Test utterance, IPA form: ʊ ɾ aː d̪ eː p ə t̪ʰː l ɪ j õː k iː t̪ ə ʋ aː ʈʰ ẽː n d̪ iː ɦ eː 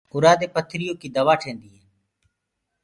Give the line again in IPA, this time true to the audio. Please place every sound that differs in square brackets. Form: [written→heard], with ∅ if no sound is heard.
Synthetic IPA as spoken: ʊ ɾ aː d̪ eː p ə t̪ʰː [l→ɾ] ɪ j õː k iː [t̪→d̪] ə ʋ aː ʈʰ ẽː n d̪ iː ɦ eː

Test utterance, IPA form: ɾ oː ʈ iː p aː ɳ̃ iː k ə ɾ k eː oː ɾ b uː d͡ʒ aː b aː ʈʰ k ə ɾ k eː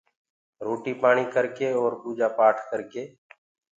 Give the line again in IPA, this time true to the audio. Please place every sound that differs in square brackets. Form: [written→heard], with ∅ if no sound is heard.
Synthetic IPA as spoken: ɾ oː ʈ iː p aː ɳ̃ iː k ə ɾ k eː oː ɾ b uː d͡ʒ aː [b→p] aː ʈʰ k ə ɾ k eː

